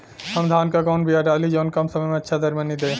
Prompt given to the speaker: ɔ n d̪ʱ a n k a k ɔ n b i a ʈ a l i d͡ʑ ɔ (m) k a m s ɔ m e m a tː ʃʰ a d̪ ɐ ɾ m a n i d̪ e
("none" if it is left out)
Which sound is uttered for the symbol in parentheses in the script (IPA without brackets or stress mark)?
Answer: n